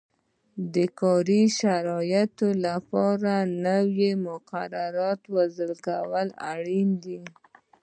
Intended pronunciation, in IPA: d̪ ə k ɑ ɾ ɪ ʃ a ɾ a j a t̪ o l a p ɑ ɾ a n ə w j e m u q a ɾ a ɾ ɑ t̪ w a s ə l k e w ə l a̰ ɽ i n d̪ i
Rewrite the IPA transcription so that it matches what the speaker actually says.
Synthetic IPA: d̪ ə k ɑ ɾ i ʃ a ɾ ɑ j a t̪ o l a p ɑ ɾ a n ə w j e m ʊ q a ɾ a ɾ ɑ t̪ w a z ə l k a w ə l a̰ ɽ i n d̪ i